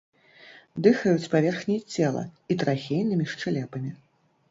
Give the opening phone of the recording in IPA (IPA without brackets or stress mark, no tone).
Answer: d̪